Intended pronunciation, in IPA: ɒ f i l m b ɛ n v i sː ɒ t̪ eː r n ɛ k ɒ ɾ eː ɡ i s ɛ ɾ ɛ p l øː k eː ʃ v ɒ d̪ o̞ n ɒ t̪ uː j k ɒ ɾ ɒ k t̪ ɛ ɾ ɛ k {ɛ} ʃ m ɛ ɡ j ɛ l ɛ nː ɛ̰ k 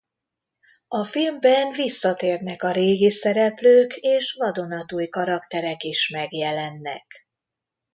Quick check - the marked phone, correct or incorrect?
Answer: incorrect